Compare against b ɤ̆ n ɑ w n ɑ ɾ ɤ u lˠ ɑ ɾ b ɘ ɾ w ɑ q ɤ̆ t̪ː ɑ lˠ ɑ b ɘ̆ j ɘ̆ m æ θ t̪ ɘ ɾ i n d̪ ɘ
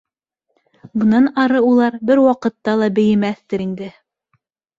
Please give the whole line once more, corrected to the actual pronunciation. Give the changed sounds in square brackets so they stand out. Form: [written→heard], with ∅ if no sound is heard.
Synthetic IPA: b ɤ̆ n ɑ [w→∅] n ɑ ɾ ɤ u lˠ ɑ ɾ b ɘ ɾ w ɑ q ɤ̆ t̪ː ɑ lˠ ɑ b ɘ̆ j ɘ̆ m æ θ t̪ ɘ ɾ i n d̪ ɘ